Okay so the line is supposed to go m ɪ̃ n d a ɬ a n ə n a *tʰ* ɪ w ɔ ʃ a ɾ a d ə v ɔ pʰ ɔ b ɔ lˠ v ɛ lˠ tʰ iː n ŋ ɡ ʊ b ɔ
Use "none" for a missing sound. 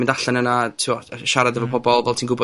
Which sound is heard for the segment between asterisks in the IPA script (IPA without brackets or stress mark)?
tʰ